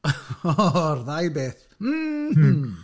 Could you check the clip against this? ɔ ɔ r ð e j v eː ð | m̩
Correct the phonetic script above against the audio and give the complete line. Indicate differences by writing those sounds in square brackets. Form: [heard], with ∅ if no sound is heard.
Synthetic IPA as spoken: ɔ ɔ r ð [a] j [b] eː [θ] | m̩